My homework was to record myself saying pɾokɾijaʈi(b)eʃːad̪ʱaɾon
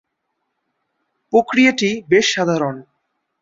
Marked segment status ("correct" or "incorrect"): correct